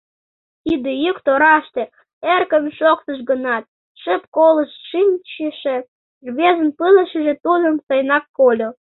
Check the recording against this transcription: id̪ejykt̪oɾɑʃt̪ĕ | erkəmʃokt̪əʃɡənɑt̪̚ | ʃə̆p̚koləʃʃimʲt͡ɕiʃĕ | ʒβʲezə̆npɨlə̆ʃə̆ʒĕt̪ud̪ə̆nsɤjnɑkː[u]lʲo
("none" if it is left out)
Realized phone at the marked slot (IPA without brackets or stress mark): o